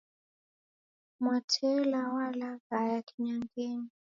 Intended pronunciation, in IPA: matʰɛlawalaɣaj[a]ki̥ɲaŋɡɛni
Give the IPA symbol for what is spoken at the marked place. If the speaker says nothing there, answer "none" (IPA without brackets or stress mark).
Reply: a